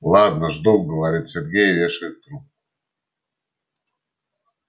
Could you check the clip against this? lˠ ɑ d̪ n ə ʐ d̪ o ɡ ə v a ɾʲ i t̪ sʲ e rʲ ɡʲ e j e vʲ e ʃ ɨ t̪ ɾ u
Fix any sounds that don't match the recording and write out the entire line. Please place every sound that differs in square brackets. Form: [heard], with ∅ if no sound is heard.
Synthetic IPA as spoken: lˠ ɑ d̪ n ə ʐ d̪ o ɡ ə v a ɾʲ i t̪ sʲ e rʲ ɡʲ e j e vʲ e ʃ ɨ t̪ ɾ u